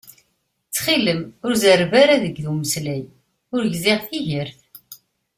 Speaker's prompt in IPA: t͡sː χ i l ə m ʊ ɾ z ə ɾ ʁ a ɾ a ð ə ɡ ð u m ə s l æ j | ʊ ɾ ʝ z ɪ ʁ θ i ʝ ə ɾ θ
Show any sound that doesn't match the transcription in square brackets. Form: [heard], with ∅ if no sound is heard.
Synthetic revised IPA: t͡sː χ i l ə m ʊ ɾ z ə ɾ [v] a ɾ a ð ə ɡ ð u m ə s l æ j | ʊ ɾ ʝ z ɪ ʁ θ i ʝ ə ɾ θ